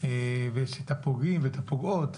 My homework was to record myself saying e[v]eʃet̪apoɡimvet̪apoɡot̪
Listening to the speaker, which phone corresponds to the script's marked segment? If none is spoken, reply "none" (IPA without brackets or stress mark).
v